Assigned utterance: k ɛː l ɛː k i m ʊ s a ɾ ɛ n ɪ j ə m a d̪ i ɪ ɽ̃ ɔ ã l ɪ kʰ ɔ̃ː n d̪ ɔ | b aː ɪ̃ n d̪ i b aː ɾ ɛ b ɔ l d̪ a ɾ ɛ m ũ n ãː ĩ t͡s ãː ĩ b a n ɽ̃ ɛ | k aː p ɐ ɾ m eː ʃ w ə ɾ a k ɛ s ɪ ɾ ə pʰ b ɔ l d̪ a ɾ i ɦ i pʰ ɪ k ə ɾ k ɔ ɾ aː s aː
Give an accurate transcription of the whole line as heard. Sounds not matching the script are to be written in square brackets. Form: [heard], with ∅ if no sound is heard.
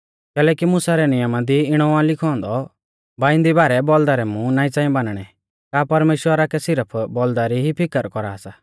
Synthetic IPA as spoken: k ɛː l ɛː k i m ʊ s a ɾ ɛ n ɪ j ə m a d̪ i ɪ ɽ̃ ɔ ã l ɪ kʰ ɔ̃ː n d̪ ɔ | b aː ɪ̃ n d̪ i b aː ɾ ɛ b ɔ l d̪ a ɾ ɛ m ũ n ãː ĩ t͡s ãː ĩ b a n ɽ̃ ɛ | k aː p ɐ ɾ m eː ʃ w ə ɾ a k ɛ s ɪ ɾ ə pʰ b ɔ l d̪ a ɾ i ɦ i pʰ ɪ k ə ɾ k ɔ ɾ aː s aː